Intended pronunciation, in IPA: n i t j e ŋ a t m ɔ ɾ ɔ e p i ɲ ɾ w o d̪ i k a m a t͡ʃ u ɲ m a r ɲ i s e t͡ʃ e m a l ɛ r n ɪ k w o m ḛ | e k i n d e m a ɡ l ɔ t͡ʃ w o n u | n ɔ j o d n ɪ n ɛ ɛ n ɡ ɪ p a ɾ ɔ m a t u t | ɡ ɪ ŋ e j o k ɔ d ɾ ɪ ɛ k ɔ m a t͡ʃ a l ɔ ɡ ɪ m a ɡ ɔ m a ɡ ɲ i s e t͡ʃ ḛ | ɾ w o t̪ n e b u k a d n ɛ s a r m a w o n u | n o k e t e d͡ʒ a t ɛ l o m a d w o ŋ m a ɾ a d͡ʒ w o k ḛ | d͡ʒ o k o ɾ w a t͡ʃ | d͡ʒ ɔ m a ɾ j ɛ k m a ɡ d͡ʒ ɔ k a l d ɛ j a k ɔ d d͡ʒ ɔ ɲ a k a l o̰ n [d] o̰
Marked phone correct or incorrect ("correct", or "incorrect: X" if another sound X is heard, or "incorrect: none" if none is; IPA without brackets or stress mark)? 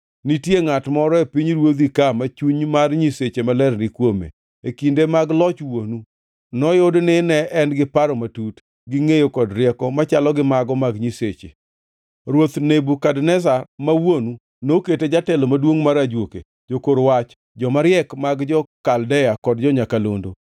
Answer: correct